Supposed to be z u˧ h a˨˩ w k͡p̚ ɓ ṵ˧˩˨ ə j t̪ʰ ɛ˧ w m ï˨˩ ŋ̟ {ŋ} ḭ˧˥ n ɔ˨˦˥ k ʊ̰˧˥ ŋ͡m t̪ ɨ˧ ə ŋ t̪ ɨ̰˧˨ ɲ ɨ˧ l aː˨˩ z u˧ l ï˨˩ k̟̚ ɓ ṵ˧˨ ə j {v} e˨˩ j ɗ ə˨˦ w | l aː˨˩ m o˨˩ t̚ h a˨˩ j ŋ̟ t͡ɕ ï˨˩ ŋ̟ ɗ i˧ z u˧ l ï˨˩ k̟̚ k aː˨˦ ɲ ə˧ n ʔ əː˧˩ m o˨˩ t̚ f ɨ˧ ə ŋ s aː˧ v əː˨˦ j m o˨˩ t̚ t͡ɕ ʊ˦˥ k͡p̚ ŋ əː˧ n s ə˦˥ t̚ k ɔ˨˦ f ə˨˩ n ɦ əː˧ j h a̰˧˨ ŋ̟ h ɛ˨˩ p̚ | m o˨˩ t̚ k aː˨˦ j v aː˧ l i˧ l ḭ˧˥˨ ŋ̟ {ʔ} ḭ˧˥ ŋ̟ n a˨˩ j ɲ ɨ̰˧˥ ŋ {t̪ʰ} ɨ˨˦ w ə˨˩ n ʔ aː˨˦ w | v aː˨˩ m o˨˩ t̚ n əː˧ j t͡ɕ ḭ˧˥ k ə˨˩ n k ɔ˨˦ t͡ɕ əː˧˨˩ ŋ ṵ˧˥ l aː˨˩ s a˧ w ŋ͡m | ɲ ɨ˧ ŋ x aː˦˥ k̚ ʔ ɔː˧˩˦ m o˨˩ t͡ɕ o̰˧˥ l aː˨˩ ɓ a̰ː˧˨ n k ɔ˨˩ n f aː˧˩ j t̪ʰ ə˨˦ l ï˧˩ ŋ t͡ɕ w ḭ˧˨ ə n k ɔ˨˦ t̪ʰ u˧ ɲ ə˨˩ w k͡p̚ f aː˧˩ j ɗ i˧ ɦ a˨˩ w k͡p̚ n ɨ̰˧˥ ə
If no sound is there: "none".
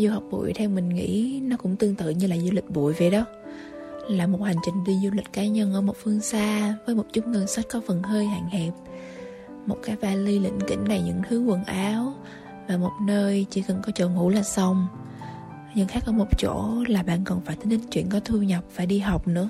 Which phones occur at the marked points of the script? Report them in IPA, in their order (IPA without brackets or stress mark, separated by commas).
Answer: ŋ, v, k, t̪ʰ